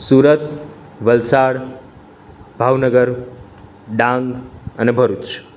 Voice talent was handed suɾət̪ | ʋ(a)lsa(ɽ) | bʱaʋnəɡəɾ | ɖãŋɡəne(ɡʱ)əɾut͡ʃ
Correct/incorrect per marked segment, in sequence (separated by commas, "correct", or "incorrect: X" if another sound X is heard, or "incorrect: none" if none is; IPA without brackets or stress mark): incorrect: ə, correct, incorrect: bʱ